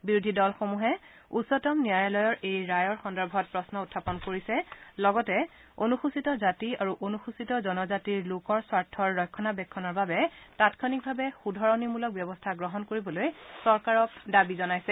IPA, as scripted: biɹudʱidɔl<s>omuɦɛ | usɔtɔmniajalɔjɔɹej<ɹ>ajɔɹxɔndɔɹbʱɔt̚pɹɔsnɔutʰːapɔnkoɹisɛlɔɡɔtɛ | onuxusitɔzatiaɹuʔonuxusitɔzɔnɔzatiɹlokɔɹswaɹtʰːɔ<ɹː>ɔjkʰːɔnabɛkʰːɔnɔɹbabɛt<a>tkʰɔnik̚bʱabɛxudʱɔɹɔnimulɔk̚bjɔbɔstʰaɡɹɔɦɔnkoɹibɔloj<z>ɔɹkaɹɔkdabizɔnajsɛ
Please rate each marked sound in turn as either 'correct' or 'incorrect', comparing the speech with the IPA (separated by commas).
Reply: incorrect, correct, correct, correct, incorrect